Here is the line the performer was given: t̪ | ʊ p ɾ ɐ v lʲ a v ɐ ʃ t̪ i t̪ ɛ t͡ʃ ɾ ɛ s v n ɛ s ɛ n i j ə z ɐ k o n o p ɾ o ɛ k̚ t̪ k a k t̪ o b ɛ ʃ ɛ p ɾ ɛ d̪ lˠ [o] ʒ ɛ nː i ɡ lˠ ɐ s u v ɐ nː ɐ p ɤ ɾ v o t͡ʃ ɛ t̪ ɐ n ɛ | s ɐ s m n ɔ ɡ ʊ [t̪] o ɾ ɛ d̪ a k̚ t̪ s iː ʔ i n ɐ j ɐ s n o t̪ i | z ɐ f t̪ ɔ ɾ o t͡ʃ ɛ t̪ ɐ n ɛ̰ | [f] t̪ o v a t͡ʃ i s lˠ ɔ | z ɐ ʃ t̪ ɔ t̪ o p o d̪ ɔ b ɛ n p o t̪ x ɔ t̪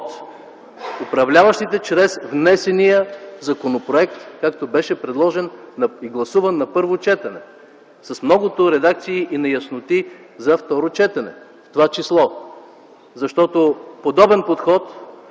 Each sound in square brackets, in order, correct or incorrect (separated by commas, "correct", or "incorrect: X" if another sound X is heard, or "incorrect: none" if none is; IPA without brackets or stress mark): incorrect: ɔ, correct, correct